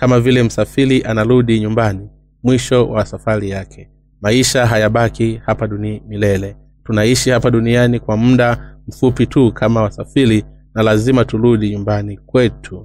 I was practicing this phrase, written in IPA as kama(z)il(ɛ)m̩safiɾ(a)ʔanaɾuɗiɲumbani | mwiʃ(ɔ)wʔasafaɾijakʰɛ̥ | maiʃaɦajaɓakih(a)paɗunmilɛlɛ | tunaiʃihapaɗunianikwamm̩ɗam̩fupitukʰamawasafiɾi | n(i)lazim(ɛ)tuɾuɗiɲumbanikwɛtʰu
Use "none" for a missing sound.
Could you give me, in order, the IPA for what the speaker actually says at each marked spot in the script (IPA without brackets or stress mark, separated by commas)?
v, ɛ, i, ɔ, a, a, a